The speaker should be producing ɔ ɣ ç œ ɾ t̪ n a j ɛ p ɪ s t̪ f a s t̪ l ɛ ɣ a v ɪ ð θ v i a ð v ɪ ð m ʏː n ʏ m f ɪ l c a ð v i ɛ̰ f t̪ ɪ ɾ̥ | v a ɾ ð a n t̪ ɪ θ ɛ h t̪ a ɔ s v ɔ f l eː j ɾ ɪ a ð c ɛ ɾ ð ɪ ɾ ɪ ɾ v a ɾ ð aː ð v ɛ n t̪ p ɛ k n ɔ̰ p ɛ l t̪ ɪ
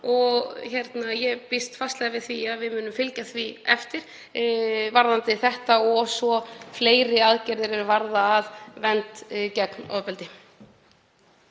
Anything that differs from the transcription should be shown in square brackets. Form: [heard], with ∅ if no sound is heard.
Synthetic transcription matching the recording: ɔ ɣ ç [ɛ] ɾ t̪ n a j ɛ p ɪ s t̪ f a s t̪ l ɛ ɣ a v ɪ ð θ v i a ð v ɪ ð m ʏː n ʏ m f ɪ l c a [θ] v i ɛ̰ f t̪ ɪ ɾ̥ | v a ɾ ð a n t̪ ɪ θ ɛ h t̪ a ɔ s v ɔ f l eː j ɾ ɪ a ð c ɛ ɾ ð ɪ ɾ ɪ ɾ v a ɾ ð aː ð v ɛ n t̪ [c] ɛ k n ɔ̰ p ɛ l t̪ ɪ